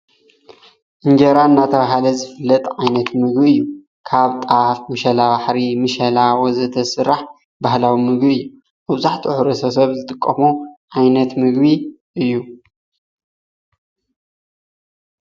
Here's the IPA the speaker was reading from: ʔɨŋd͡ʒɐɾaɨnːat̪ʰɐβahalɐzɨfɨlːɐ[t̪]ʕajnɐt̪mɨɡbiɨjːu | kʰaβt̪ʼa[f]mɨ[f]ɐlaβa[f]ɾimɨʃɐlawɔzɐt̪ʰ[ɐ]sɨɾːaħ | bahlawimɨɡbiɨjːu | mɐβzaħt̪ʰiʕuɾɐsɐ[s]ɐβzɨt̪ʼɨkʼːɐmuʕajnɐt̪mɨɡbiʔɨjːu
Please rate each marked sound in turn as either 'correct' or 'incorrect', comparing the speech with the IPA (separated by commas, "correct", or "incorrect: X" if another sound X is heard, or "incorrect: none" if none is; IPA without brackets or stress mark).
incorrect: t̪ʼ, correct, incorrect: ʃ, incorrect: ħ, correct, correct